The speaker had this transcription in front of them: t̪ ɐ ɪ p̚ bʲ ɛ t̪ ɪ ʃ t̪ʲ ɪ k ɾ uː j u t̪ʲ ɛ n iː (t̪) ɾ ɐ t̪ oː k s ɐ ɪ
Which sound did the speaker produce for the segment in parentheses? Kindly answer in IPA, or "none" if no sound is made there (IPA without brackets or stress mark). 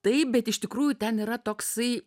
none